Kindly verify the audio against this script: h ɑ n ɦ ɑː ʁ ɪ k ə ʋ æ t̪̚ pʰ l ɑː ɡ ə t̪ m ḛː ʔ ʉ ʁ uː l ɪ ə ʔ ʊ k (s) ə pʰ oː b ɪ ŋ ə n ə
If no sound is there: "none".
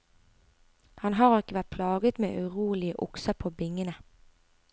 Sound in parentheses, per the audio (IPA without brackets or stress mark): s